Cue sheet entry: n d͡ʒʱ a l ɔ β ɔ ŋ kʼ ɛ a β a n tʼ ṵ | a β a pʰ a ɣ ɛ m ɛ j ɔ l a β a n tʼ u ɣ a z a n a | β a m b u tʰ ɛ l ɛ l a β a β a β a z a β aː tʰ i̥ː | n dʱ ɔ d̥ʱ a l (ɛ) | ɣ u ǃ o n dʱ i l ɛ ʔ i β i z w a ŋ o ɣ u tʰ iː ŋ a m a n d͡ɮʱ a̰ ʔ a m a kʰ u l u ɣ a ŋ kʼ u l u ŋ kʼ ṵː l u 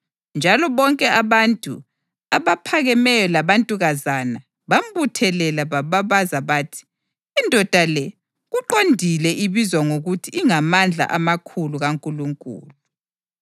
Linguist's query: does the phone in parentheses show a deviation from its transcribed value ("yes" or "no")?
no